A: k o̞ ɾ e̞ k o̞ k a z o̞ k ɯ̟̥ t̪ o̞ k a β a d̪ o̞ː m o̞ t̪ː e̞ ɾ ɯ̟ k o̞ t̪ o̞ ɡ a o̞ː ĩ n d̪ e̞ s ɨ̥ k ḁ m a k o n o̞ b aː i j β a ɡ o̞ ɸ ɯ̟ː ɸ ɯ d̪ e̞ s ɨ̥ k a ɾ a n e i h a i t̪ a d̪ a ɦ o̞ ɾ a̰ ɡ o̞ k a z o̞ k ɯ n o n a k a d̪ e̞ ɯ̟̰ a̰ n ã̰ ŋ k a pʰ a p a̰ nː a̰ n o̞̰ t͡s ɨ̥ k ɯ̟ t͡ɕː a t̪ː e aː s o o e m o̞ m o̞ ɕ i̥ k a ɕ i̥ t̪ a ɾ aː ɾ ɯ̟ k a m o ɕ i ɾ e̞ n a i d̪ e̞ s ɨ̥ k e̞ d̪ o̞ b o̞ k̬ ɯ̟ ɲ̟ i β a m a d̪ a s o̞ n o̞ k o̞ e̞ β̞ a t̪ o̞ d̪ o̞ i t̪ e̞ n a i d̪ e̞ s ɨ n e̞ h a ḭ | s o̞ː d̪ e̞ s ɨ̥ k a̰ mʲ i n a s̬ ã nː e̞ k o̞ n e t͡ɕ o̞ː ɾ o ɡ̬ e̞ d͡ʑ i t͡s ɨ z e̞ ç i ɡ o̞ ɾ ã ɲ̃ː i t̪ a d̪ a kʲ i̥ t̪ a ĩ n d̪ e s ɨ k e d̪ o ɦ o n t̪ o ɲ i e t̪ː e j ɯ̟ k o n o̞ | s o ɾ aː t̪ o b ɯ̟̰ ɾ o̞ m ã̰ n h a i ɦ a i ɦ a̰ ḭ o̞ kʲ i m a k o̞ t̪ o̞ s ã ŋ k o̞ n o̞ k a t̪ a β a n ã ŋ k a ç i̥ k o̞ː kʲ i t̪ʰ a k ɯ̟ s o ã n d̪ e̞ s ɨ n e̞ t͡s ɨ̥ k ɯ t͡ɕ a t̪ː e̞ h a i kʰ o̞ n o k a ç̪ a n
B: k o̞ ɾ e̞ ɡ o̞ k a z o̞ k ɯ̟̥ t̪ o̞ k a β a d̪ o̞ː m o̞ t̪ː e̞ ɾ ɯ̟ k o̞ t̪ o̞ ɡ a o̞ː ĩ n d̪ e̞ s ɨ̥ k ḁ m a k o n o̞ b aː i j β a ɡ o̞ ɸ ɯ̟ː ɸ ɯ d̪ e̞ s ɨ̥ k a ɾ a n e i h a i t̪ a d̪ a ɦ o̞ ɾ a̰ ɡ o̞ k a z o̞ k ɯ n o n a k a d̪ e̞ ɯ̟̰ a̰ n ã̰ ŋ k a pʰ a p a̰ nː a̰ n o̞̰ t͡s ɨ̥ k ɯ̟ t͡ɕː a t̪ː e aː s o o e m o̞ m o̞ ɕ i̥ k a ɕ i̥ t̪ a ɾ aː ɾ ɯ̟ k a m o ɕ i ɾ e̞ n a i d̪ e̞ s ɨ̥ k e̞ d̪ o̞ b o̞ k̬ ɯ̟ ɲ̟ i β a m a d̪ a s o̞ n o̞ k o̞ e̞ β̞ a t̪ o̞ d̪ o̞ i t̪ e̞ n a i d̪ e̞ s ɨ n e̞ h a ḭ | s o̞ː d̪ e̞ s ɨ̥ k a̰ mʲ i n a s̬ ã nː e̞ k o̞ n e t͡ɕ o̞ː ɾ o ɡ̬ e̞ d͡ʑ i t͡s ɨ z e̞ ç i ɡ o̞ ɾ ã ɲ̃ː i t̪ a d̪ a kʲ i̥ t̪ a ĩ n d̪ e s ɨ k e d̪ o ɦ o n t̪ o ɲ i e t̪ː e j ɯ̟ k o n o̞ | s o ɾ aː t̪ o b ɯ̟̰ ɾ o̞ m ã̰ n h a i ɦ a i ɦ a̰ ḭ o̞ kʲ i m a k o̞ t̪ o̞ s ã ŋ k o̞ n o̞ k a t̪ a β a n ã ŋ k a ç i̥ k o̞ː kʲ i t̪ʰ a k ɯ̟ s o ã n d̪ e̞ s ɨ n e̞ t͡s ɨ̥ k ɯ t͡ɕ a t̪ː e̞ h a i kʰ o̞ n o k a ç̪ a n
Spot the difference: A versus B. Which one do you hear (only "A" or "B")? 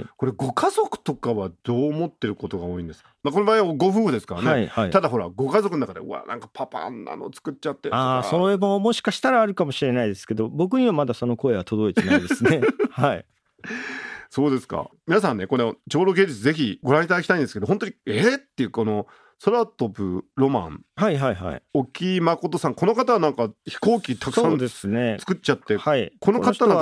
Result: B